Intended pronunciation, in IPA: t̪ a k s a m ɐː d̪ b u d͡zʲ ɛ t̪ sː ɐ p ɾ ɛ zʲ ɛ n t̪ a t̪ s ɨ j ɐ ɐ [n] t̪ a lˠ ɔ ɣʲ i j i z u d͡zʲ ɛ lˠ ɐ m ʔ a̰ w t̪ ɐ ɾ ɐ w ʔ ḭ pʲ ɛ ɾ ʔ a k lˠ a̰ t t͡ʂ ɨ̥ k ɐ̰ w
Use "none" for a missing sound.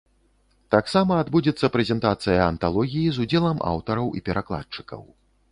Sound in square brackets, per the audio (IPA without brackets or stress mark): n